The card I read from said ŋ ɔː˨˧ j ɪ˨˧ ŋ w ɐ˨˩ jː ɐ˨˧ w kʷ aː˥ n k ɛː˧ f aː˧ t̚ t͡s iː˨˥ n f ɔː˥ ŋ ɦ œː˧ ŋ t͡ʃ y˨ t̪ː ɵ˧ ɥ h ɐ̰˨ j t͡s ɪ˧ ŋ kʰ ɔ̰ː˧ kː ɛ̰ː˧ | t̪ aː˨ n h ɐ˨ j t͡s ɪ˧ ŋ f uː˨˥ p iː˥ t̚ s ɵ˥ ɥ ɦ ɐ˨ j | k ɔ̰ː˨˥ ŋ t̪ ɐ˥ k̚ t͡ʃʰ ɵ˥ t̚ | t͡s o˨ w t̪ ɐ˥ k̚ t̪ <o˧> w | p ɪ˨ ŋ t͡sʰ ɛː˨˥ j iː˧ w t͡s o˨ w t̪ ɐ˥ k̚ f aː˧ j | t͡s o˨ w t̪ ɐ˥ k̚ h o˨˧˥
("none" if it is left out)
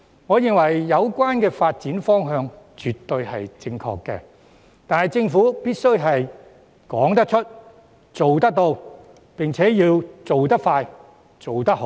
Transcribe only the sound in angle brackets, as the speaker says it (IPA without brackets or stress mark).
o˧